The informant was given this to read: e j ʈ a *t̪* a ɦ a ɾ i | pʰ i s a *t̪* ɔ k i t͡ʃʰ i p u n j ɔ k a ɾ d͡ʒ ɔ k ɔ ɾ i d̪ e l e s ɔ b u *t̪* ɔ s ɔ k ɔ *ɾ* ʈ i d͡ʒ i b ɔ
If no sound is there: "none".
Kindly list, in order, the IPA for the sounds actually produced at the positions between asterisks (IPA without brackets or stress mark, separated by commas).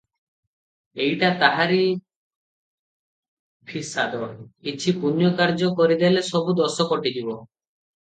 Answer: t̪, d̪, d̪, none